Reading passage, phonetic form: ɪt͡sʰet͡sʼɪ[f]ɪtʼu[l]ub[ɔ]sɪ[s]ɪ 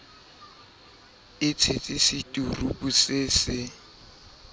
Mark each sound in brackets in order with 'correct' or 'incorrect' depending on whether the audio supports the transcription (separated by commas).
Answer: incorrect, incorrect, incorrect, correct